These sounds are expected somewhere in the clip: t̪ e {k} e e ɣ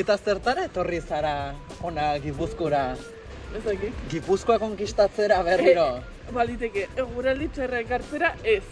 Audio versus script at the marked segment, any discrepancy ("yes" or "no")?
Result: no